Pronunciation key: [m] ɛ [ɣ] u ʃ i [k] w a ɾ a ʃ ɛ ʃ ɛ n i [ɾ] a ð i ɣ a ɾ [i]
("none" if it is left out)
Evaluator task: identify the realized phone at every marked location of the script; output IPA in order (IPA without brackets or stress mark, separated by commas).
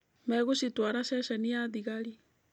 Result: m, ɣ, t, none, i